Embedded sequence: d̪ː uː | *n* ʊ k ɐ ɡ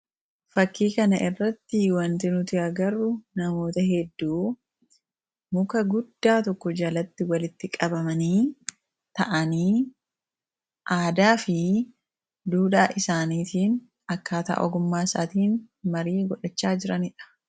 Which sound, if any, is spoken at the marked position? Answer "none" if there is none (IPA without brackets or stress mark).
m